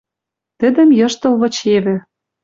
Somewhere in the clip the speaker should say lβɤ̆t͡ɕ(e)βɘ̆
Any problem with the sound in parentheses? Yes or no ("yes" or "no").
no